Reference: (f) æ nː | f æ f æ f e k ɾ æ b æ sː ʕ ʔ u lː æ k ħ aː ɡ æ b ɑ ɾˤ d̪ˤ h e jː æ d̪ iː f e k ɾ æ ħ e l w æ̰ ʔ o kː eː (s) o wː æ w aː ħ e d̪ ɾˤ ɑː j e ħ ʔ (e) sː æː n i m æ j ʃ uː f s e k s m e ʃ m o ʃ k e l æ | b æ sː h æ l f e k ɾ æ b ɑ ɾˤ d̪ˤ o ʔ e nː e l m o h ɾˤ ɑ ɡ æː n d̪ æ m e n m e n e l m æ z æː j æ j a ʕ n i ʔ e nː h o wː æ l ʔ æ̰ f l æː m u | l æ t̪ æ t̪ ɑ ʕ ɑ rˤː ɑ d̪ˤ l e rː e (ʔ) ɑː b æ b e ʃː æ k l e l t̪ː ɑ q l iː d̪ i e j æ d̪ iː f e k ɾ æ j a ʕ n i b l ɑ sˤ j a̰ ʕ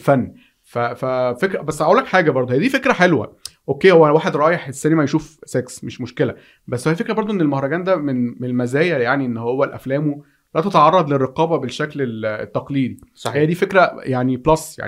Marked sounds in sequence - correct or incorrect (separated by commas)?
correct, incorrect, correct, incorrect